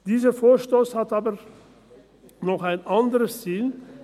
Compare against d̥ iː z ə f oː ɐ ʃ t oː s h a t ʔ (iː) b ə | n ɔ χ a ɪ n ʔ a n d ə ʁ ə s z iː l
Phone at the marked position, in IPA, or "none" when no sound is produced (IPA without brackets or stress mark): aː